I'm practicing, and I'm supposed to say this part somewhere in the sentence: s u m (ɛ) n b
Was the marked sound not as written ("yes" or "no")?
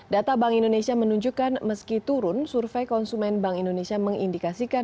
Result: no